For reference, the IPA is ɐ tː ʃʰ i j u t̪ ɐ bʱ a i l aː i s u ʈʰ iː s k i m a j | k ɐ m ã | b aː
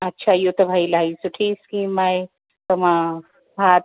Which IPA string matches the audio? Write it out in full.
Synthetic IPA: ɐ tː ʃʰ a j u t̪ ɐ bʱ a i l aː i s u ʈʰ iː s k i m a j | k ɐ m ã | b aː

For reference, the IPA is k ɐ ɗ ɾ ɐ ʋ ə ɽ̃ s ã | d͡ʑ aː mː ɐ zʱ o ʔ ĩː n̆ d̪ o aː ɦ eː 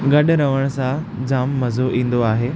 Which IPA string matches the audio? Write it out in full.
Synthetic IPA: ɡ ɐ ɗ ɾ ɐ ʋ ə ɽ̃ s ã | d͡ʑ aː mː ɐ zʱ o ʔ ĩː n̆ d̪ o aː ɦ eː

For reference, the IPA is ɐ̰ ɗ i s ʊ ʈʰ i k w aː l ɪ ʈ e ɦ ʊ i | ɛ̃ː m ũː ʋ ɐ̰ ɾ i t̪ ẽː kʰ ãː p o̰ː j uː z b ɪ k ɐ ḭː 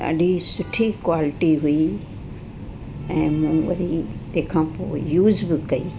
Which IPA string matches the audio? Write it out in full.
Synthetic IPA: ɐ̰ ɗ i s ʊ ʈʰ i k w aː l ɪ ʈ i ɦ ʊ i | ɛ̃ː m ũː ʋ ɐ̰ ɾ i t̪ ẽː kʰ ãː p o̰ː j uː z b ɪ k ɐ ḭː

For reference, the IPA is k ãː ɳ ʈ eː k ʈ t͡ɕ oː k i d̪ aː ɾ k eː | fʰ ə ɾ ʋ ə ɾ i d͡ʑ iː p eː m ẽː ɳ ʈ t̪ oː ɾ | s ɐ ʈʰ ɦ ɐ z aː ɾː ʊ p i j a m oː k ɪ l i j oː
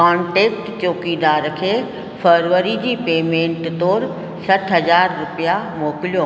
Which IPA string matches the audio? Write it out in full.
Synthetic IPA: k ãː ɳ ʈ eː k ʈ t͡ɕ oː k i d̪ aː ɾ kʰ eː | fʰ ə ɾ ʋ ə ɾ i d͡ʑ iː p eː m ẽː ɳ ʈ t̪ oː ɾ | s ɐ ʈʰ ɦ ɐ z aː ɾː ʊ p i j a m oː k ɪ l i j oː

